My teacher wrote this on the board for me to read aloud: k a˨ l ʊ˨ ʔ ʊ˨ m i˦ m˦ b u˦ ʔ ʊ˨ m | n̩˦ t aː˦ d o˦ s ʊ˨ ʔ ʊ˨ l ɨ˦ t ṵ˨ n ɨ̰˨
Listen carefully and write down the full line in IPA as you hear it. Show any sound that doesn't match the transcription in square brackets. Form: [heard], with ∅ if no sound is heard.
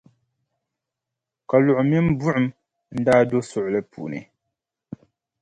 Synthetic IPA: k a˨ l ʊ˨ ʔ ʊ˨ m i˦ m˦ b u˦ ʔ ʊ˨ m | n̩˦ [d] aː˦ d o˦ s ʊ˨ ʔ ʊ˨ l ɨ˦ [p] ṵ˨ n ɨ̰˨